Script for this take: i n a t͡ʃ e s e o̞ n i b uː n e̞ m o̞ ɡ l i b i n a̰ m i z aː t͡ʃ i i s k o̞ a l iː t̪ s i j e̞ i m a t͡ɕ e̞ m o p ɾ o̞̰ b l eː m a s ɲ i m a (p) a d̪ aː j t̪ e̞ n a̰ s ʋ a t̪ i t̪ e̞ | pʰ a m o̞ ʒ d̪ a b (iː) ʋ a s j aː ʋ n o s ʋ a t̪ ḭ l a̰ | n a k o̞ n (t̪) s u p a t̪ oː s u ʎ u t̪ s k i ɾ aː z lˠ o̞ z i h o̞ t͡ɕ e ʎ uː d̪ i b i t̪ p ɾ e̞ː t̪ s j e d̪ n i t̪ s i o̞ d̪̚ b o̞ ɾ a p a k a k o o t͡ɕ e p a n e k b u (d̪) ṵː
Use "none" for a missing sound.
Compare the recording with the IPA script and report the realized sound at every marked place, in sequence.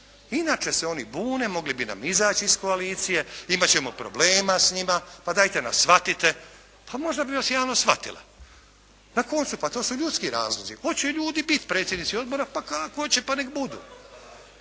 p, i, t̪, d̪

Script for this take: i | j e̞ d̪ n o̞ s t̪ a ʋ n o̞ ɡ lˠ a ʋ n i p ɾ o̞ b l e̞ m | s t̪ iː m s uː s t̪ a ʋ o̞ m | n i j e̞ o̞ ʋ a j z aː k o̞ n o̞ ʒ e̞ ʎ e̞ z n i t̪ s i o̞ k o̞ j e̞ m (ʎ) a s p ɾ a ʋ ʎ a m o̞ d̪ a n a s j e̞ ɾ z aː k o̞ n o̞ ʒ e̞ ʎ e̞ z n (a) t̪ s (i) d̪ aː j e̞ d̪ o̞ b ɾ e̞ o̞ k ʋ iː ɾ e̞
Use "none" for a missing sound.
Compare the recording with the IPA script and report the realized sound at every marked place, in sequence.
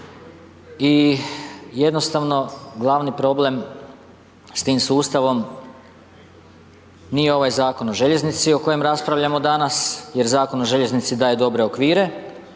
ɾ, i, i

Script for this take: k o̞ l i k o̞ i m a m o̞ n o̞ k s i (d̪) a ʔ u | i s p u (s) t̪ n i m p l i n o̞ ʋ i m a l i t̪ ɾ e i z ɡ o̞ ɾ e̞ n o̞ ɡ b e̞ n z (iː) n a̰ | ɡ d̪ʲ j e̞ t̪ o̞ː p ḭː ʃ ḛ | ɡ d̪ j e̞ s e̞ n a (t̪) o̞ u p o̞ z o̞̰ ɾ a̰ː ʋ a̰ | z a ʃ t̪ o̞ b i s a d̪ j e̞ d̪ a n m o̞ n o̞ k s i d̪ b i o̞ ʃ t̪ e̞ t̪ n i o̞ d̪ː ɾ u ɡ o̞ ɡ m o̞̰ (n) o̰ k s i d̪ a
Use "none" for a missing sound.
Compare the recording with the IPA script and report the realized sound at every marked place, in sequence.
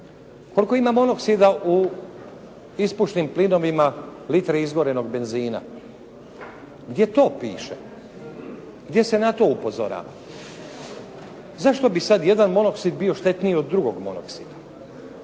d̪, ʃ, iː, t̪, n

